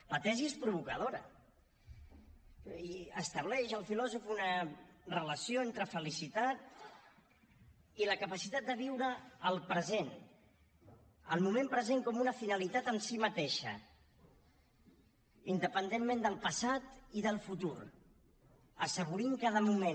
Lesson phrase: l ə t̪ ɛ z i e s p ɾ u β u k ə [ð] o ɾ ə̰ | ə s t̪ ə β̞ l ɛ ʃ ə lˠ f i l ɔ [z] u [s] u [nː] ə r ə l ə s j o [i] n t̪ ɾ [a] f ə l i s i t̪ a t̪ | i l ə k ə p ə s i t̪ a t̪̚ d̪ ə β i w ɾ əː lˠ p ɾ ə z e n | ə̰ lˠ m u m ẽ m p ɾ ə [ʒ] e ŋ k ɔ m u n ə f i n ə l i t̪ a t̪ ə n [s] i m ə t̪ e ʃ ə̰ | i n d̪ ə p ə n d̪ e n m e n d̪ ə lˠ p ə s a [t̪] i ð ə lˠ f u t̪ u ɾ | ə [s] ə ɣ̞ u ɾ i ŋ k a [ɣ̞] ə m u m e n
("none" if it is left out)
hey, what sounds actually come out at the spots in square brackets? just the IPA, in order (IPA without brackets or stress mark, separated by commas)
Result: ð, z, f, n, e, ə, z, s, t̪, s, ð̞